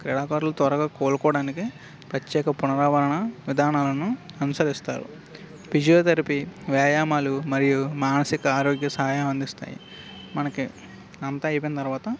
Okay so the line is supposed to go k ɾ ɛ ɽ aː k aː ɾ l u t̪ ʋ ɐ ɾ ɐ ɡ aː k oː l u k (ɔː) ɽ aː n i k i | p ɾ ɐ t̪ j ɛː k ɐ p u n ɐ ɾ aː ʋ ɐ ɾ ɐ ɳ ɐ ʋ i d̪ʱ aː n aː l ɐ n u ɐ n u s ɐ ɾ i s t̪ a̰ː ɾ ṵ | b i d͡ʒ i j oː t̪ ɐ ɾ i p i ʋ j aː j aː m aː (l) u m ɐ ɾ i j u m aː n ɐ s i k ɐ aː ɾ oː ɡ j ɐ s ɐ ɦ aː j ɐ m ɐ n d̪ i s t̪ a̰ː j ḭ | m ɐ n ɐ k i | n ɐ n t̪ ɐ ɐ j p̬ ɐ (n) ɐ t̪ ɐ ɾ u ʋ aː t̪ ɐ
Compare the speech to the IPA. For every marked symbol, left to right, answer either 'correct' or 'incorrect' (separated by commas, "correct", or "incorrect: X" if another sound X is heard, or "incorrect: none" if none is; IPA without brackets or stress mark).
correct, correct, correct